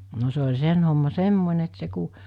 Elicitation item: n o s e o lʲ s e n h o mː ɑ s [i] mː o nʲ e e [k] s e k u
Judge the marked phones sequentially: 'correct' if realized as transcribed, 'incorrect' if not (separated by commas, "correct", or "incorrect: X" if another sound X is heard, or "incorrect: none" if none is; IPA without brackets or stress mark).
incorrect: e, incorrect: t